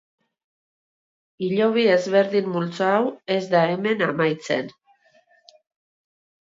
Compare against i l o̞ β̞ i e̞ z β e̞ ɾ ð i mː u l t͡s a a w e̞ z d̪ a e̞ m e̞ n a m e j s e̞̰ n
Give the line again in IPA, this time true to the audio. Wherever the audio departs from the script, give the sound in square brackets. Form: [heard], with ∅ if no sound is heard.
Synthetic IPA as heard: i [ʎ] o̞ β̞ i e̞ z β e̞ ɾ ð i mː u l t͡s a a w e̞ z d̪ a e̞ m e̞ n a m [a] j [t͡s] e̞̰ n